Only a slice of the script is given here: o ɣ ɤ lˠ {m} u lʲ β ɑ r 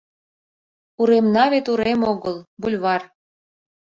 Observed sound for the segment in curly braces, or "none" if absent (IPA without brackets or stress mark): b